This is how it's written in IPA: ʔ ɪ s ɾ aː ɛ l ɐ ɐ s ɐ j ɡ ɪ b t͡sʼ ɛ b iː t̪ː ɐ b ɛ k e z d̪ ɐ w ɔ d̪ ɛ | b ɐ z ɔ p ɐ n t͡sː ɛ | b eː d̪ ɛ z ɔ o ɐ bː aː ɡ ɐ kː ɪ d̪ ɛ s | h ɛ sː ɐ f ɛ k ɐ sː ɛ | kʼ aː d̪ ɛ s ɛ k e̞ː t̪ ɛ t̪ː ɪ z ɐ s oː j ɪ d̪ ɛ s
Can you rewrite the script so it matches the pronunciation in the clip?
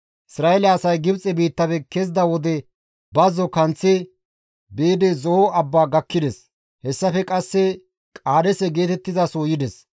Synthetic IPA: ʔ ɪ s ɾ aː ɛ l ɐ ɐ s ɐ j ɡ ɪ b t͡sʼ ɛ b iː t̪ː ɐ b ɛ k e z d̪ ɐ w ɔ d̪ ɛ | b ɐ z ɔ k ɐ n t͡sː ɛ | b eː d̪ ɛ z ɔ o ɐ bː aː ɡ ɐ kː ɪ d̪ ɛ s | h ɛ sː ɐ f ɛ kʼ ɐ sː ɛ | kʼ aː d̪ ɛ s ɛ ɡ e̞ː t̪ ɛ t̪ː ɪ z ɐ s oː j ɪ d̪ ɛ s